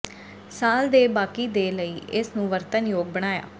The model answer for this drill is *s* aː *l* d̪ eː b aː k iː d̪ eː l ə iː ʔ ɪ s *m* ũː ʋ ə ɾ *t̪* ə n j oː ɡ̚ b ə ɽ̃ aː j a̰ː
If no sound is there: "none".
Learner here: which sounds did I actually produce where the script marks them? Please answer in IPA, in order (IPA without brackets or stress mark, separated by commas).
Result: s, l, n, t̪